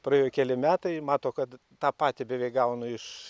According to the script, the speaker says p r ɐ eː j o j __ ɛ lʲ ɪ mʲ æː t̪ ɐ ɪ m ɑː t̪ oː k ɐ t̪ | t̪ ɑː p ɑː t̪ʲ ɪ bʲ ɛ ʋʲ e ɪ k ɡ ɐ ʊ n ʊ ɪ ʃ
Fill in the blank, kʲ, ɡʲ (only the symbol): kʲ